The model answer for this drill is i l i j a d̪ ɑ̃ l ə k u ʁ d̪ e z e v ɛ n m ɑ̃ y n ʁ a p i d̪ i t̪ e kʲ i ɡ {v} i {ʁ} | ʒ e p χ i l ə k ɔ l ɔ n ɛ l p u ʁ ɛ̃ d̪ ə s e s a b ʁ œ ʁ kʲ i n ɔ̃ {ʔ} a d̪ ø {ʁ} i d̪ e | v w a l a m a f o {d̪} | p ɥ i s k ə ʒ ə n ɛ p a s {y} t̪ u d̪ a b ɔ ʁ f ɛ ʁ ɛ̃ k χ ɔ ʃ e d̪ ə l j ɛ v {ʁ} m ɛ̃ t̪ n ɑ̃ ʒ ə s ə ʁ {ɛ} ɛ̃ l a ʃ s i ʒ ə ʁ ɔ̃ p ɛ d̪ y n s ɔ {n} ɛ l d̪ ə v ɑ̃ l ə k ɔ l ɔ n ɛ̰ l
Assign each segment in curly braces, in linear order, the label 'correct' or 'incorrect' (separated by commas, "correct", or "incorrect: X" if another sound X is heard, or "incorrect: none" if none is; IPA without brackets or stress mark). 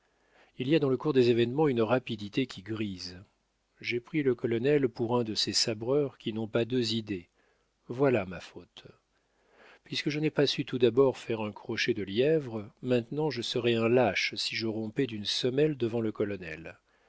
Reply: incorrect: ʁ, incorrect: z, incorrect: p, incorrect: z, incorrect: t̪, correct, correct, correct, incorrect: m